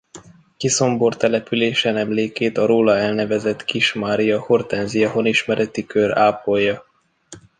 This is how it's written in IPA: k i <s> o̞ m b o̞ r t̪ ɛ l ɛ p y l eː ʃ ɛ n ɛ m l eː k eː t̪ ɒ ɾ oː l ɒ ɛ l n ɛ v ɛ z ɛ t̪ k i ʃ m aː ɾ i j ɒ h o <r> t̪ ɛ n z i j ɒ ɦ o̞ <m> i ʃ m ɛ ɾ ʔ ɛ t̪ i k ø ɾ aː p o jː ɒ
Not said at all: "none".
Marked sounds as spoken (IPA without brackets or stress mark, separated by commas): s, r, n